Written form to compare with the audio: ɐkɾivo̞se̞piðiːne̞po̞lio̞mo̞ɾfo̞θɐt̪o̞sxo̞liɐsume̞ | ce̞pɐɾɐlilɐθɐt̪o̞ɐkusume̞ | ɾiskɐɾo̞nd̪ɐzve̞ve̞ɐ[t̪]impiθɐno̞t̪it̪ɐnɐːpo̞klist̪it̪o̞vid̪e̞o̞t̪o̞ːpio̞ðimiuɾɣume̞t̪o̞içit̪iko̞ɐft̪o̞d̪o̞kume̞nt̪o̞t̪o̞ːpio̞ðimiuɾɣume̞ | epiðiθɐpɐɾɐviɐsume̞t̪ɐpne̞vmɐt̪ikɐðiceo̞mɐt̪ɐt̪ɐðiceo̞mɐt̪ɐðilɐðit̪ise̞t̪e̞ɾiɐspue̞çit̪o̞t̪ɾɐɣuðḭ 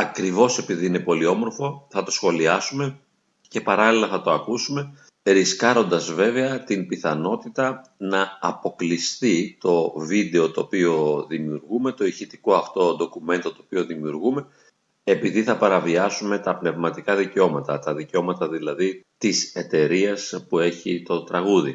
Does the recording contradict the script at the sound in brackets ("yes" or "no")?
no